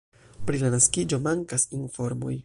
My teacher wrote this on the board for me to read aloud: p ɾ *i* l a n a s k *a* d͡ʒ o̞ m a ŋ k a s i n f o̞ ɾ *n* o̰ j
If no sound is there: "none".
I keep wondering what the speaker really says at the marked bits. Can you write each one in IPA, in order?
i, i, m

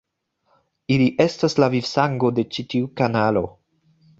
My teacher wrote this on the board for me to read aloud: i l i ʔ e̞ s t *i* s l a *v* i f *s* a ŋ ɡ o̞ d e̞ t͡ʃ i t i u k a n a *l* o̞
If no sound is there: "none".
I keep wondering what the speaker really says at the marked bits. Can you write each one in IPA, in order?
a, v, s, l

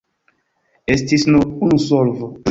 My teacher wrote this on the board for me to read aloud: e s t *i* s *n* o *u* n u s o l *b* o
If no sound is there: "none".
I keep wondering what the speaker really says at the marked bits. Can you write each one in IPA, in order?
i, n, u, v

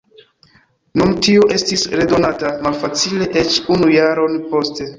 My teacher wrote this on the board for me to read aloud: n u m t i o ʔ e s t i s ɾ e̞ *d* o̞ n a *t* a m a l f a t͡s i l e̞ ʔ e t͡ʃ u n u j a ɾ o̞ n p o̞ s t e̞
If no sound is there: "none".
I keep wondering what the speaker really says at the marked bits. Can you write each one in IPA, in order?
d, t

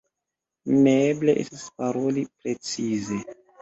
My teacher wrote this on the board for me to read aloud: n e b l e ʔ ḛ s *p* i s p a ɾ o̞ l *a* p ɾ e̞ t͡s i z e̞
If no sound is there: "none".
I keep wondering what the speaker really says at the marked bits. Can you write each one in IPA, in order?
t, i

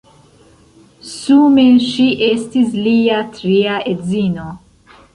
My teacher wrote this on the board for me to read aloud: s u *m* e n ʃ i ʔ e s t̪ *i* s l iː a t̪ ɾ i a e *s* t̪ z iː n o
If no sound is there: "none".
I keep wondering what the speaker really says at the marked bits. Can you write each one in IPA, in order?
m, i, none

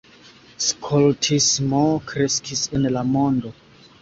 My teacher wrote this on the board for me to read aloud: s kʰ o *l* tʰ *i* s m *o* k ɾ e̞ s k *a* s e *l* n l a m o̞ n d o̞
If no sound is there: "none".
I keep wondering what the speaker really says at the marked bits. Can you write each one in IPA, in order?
l, i, o, i, none

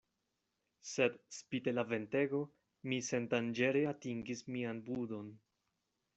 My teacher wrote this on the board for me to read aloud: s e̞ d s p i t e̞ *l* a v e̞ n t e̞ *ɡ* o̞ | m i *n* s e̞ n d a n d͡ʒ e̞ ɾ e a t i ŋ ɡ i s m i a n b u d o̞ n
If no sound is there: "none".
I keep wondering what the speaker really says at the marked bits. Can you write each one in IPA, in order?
l, ɡ, none

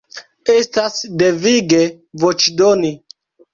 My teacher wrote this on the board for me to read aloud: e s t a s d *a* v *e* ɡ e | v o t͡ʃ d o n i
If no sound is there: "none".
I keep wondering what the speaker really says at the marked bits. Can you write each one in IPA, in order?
e, i

